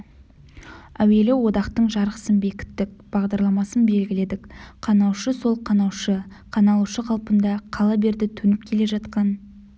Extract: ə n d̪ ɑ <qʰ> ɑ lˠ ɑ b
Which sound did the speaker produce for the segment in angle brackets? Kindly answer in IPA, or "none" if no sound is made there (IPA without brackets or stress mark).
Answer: qʰ